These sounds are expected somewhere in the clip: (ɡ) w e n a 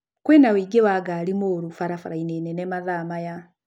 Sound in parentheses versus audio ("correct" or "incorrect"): incorrect